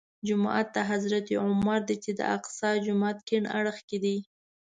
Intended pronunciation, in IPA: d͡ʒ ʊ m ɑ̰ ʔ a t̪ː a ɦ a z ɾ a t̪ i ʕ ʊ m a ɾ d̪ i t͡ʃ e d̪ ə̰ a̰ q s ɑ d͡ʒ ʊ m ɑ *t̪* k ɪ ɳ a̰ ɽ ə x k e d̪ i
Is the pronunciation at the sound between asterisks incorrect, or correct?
correct